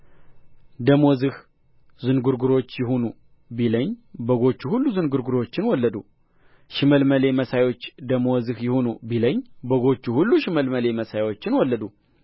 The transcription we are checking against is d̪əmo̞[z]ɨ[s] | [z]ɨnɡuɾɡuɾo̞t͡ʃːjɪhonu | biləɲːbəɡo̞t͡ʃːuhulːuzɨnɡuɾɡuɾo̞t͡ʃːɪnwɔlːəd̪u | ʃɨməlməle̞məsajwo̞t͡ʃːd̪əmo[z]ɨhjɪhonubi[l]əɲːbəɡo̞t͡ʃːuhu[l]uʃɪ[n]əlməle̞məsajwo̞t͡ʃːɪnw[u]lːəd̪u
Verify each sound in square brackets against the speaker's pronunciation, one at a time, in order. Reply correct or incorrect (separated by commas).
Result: correct, incorrect, correct, correct, correct, incorrect, incorrect, incorrect